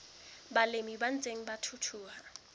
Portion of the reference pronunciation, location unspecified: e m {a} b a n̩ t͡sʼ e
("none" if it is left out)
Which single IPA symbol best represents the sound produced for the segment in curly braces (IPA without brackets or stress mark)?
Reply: i